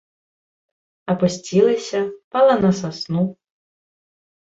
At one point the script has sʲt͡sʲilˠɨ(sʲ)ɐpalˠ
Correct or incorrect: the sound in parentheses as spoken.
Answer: correct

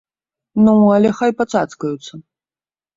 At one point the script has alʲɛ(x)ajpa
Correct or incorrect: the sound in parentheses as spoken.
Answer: correct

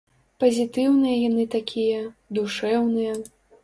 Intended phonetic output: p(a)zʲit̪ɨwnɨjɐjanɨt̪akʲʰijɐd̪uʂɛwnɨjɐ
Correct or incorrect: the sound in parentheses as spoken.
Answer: incorrect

